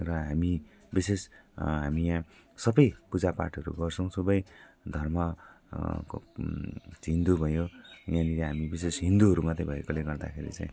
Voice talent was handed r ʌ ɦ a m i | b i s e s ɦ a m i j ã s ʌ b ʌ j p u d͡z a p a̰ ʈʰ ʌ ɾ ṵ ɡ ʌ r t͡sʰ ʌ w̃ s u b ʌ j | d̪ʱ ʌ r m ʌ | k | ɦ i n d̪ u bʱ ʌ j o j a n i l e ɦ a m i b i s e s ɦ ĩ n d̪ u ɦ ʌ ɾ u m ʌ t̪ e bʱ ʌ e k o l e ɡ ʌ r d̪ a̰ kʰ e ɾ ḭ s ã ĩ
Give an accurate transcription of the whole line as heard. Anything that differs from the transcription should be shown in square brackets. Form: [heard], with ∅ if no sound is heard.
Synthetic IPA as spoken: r ʌ ɦ a m i | b i s e s ɦ a m i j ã s ʌ b ʌ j p u d͡z a p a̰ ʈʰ ʌ ɾ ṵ ɡ ʌ r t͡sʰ ʌ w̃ s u b ʌ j | d̪ʱ ʌ r m ʌ | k | ɦ i n d̪ u bʱ ʌ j o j a n i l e ɦ a m i b i s e s ɦ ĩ n d̪ u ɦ ʌ ɾ u m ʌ t̪ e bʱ ʌ e k o l e ɡ ʌ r d̪ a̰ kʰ e ɾ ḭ [t͡s] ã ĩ